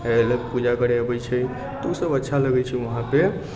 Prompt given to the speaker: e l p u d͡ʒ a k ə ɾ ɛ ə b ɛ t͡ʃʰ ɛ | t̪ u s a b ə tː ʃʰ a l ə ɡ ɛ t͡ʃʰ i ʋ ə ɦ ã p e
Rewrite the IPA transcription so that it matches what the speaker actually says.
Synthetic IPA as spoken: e l p u d͡ʒ a k ə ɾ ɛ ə b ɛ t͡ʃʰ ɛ | t̪ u s ə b ə tː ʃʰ a l ə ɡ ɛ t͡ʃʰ i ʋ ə ɦ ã p e